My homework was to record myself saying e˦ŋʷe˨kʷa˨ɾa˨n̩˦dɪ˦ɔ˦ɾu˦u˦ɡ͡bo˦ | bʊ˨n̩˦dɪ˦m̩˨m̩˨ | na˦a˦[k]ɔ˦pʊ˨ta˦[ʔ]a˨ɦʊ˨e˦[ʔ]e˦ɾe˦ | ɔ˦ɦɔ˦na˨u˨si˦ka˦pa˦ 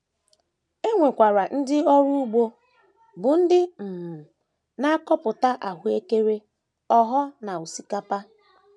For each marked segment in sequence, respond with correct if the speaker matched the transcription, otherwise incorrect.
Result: correct, correct, incorrect

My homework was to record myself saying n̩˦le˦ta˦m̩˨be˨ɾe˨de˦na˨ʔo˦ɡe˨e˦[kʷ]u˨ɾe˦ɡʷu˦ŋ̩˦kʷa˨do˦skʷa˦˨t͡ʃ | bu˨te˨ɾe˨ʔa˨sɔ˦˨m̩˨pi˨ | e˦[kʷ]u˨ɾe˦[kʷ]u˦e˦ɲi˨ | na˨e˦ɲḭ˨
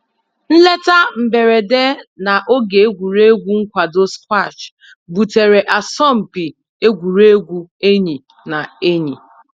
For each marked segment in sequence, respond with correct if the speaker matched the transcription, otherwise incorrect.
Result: incorrect, incorrect, incorrect

